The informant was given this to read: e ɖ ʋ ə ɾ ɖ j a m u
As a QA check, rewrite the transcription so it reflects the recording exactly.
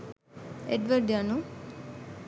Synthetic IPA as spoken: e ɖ ʋ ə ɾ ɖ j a n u

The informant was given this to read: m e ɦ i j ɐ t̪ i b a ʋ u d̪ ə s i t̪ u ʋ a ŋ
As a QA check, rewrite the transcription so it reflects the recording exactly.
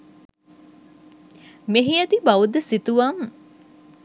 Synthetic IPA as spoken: m e ɦ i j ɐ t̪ i b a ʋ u d̪ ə s i t̪ u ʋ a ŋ

